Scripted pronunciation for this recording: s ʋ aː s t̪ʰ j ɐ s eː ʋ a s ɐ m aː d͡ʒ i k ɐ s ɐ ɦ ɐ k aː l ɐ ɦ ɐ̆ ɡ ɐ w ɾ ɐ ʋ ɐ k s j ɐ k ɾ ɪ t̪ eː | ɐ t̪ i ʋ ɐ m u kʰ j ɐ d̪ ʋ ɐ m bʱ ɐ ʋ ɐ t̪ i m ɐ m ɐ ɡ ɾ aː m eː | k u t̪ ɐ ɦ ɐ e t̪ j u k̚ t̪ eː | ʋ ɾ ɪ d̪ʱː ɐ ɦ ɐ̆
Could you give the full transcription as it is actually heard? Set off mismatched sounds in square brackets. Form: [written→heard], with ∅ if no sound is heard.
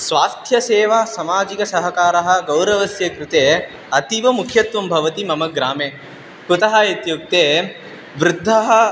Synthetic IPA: s ʋ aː s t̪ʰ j ɐ s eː ʋ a s ɐ m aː d͡ʒ i k ɐ s ɐ ɦ ɐ k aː [l→ɾ] ɐ ɦ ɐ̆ ɡ ɐ w ɾ ɐ ʋ ɐ [k→∅] s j ɐ k ɾ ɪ t̪ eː | ɐ t̪ i ʋ ɐ m u kʰ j ɐ [d̪→t̪] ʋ ɐ m bʱ ɐ ʋ ɐ t̪ i m ɐ m ɐ ɡ ɾ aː m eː | k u t̪ ɐ ɦ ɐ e t̪ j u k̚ t̪ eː | ʋ ɾ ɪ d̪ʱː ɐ ɦ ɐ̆